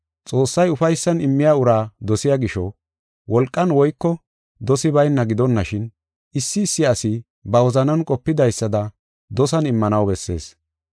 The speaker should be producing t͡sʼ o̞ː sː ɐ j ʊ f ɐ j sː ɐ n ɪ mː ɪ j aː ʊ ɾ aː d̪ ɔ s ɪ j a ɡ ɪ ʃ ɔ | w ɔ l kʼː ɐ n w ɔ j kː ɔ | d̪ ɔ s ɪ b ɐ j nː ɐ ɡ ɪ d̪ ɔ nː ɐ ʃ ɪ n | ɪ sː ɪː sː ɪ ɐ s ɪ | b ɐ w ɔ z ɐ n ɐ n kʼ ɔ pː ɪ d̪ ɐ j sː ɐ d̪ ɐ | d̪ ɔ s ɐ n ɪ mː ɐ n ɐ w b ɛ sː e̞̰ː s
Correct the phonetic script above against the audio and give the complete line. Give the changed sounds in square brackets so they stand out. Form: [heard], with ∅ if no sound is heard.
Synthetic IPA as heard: t͡sʼ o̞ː sː ɐ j ʊ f ɐ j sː ɐ n ɪ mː ɪ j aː ʊ ɾ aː d̪ ɔ s ɪ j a ɡ ɪ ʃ ɔ | w ɔ l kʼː ɐ n w ɔ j kː ɔ | d̪ ɔ s ɪ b ɐ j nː ɐ ɡ ɪ d̪ ɔ nː ɐ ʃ ɪ n | ɪ sː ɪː sː ɪ ɐ s ɪ | b ɐ w ɔ z ɐ n ɐ n kʼ ɔ pː ɪ d̪ ɐ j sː ɐ d̪ ɐ | d̪ ɔ s ɐ n ɪ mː ɐ n ɐ w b ɛ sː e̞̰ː s

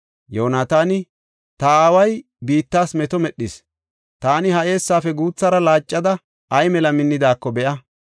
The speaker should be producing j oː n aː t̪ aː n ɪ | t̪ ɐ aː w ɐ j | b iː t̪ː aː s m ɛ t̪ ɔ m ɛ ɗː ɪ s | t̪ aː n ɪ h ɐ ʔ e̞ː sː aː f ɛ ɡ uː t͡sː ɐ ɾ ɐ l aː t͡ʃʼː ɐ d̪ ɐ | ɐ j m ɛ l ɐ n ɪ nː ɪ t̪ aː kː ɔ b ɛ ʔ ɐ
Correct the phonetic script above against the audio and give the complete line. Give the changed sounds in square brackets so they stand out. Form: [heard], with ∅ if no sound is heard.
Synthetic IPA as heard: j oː n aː t̪ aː n ɪ | t̪ ɐ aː w ɐ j | b iː t̪ː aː s m ɛ t̪ ɔ m ɛ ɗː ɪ s | t̪ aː n ɪ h ɐ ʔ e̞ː sː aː f ɛ ɡ uː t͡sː ɐ ɾ ɐ l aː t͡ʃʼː ɐ d̪ ɐ | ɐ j m ɛ l ɐ [m] ɪ nː ɪ [d̪] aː kː ɔ b ɛ ʔ ɐ

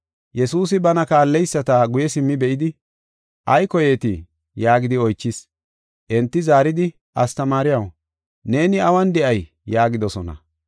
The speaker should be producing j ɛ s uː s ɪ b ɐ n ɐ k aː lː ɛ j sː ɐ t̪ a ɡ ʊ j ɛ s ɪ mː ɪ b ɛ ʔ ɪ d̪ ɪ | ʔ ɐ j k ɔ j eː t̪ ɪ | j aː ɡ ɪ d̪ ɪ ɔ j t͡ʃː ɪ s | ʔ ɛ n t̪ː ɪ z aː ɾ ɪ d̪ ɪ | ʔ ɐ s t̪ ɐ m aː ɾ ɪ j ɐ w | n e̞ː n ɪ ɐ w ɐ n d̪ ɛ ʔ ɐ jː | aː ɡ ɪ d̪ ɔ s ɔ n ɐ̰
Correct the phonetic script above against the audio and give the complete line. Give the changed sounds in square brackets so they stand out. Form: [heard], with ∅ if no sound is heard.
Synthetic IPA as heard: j ɛ s uː s ɪ b ɐ n ɐ k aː lː ɛ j sː ɐ t̪ a ɡ ʊ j ɛ s ɪ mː ɪ b ɛ ʔ ɪ d̪ ɪ | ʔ ɐ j k ɔ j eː t̪ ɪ | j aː ɡ ɪ d̪ ɪ ɔ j t͡ʃː ɪ s | ʔ ɛ n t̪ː ɪ z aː ɾ ɪ d̪ ɪ | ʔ ɐ s t̪ ɐ m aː ɾ ɪ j ɐ w | n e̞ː n ɪ ɐ w ɐ n d̪ ɛ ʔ ɐ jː | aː ɡ ɪ d̪ ɔ s ɔ n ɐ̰

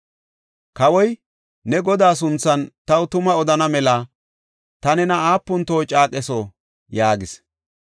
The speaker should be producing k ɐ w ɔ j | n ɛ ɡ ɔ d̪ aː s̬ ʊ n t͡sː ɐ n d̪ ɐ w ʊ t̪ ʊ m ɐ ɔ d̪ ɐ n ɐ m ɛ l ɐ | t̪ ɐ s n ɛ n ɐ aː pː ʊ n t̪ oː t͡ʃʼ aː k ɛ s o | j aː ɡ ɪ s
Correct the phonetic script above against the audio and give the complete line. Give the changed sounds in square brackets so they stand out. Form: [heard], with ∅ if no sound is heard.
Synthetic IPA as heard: k ɐ w ɔ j | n ɛ ɡ ɔ d̪ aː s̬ ʊ n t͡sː ɐ n [t̪] ɐ w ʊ t̪ ʊ m ɐ ɔ d̪ ɐ n ɐ m ɛ l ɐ | t̪ ɐ [∅] n ɛ n ɐ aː pː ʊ n t̪ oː t͡ʃʼ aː [kʼ] ɛ s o | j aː ɡ ɪ s

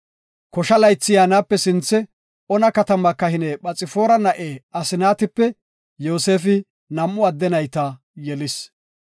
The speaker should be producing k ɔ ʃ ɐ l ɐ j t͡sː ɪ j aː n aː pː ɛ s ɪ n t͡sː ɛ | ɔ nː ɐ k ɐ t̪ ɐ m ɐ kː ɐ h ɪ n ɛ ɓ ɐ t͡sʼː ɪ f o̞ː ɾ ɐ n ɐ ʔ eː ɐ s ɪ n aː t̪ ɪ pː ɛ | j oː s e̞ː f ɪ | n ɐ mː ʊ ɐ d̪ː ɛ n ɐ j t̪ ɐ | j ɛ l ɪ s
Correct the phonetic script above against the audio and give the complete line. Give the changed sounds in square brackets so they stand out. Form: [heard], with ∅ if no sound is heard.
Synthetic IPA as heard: k ɔ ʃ ɐ l ɐ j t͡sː ɪ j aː n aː pː ɛ s ɪ n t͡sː ɛ | ɔ [n] ɐ k ɐ t̪ ɐ m ɐ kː ɐ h ɪ n ɛ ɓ ɐ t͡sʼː ɪ f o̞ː ɾ ɐ n ɐ ʔ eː ɐ s ɪ n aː t̪ ɪ pː ɛ | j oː s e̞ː f ɪ | n ɐ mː ʊ ɐ d̪ː ɛ n ɐ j t̪ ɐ | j ɛ l ɪ s

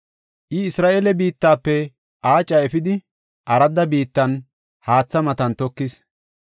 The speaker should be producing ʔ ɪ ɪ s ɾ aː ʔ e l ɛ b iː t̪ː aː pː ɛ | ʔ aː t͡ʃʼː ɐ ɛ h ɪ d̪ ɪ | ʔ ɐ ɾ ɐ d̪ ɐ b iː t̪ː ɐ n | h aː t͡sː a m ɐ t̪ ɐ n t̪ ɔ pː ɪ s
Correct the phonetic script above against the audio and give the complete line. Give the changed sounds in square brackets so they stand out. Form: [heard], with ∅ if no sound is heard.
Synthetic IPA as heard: ʔ ɪ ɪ s ɾ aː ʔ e l ɛ b iː t̪ː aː pː ɛ | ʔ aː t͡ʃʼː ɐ ɛ [f] ɪ d̪ ɪ | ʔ ɐ ɾ ɐ d̪ ɐ b iː t̪ː ɐ n | h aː t͡sː [ɐ] m ɐ t̪ ɐ n t̪ ɔ [kː] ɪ s

